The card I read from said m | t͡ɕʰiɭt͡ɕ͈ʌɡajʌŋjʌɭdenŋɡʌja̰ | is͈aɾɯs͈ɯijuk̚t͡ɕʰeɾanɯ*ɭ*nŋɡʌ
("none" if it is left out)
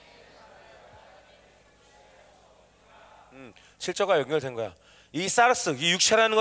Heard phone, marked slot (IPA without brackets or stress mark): none